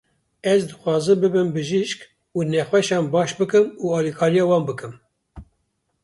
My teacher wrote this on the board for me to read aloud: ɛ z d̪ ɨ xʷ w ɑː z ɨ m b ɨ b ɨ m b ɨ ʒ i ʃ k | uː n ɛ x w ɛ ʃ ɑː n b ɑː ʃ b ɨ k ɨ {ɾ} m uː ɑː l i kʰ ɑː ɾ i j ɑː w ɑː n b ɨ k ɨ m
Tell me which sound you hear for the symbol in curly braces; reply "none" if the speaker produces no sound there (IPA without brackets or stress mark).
none